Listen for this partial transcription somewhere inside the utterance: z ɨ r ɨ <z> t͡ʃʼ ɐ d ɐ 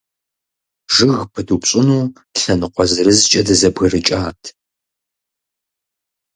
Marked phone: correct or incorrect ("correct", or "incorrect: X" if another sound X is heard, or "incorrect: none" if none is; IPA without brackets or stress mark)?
correct